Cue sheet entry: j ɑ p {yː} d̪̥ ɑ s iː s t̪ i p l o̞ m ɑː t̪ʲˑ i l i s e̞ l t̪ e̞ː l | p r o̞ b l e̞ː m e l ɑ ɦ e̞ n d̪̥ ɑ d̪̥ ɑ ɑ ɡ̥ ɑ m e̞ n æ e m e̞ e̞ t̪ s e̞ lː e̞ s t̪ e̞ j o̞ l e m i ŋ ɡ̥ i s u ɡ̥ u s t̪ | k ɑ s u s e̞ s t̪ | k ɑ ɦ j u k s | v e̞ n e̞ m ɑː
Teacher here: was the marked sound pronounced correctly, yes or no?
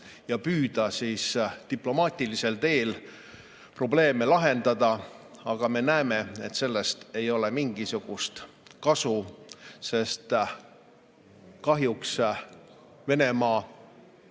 yes